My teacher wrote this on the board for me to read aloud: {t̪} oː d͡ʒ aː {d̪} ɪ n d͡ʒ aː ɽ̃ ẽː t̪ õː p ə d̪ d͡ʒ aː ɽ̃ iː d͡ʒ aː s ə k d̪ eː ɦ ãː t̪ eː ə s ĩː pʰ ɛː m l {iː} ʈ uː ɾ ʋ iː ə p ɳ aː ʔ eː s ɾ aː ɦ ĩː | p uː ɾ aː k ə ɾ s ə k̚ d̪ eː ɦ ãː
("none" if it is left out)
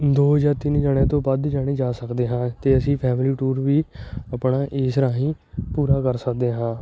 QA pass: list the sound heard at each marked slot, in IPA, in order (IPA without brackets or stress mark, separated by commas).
d̪, t̪, iː